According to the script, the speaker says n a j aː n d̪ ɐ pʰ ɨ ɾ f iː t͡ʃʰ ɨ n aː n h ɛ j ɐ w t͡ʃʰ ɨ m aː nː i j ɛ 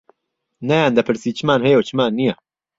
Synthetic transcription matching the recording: n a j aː n d̪ ɐ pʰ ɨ ɾ s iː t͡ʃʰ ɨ m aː n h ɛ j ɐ w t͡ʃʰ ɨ m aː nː i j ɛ